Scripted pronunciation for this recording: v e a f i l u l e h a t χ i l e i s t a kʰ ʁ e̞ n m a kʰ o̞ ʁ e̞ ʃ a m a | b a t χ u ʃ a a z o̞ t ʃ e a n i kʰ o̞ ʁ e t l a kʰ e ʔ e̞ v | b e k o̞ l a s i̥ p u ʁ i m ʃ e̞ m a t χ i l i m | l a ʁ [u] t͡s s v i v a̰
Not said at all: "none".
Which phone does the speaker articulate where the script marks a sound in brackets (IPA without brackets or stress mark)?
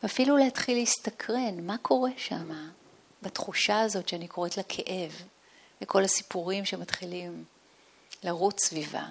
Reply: u